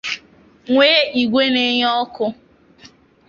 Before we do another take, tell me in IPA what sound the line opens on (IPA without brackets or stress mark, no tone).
ŋʷ